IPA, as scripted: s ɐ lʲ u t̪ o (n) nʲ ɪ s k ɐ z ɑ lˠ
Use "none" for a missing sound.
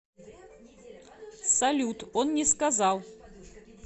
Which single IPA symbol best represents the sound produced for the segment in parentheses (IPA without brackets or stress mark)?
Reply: n